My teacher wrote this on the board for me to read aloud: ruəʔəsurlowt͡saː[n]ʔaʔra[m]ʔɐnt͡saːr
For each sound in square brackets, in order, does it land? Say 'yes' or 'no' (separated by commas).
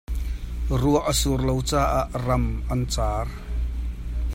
no, yes